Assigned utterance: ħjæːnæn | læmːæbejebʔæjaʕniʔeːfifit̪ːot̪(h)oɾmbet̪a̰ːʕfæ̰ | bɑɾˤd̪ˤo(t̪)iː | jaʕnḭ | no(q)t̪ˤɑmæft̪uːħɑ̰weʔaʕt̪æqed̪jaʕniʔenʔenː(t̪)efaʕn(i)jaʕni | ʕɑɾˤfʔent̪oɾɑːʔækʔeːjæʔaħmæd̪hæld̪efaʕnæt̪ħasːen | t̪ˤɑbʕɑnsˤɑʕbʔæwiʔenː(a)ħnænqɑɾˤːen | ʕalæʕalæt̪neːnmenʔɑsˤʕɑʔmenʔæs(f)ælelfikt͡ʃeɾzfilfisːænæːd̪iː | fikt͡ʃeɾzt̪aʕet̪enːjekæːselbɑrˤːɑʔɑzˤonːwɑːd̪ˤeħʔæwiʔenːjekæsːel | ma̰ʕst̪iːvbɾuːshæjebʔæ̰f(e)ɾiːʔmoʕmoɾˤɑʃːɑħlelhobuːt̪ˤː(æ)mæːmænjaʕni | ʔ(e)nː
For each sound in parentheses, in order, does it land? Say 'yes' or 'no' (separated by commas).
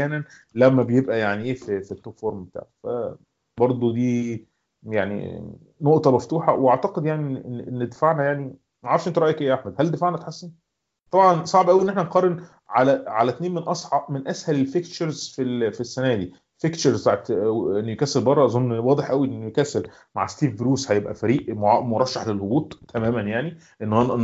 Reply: no, no, no, no, no, no, no, no, yes, yes